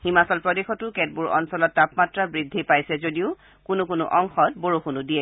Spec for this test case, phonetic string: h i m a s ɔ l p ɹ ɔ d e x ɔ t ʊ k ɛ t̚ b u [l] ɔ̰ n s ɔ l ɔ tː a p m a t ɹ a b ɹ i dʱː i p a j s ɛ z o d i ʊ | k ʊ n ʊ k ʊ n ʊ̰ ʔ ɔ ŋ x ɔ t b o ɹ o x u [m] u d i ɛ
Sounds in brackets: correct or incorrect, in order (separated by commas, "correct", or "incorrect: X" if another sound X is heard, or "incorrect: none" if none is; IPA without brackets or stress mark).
incorrect: ɹ, incorrect: n